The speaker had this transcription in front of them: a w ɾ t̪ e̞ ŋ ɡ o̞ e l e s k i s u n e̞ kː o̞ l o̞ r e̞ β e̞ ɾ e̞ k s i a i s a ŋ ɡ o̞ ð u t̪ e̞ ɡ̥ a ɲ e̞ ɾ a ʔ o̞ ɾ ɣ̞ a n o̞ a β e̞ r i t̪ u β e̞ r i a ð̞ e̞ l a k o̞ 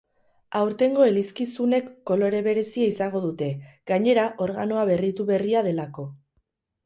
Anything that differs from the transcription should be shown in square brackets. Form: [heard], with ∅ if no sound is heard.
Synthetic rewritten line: a w ɾ t̪ e̞ ŋ ɡ o̞ e l [i] s k i s u n e̞ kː o̞ l o̞ [ɾ] e̞ β e̞ ɾ e̞ [∅] s i a i s a ŋ ɡ o̞ ð u t̪ e̞ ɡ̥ a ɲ e̞ ɾ a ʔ o̞ ɾ ɣ̞ a n o̞ a β e̞ r i t̪ u β e̞ r i a ð̞ e̞ l a k o̞